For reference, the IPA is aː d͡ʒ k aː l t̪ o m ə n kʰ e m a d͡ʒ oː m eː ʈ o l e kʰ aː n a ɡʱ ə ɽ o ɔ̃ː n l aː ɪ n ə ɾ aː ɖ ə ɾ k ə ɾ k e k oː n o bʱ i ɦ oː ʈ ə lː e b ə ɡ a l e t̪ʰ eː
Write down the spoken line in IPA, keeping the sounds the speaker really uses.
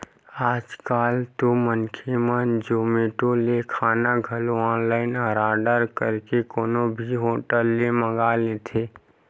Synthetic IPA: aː d͡ʒ k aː l t̪ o m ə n kʰ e m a d͡ʒ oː m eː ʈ o l e kʰ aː n a ɡʱ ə l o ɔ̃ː n l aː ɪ n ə ɾ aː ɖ ə ɾ k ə ɾ k e k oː n o bʱ i ɦ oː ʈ ə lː e m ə ɡ a l e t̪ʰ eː